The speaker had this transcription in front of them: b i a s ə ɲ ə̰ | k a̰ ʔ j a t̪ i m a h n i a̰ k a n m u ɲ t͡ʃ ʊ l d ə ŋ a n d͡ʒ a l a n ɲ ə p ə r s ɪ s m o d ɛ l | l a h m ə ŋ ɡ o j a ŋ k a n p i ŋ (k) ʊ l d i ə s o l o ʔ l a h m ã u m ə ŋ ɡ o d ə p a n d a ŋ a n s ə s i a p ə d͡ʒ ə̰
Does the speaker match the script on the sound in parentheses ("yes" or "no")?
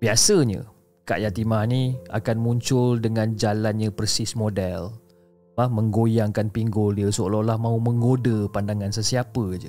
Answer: no